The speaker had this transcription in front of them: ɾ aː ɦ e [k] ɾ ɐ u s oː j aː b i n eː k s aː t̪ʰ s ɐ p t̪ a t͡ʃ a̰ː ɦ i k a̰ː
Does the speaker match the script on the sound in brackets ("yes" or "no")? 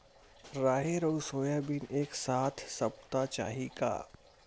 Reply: no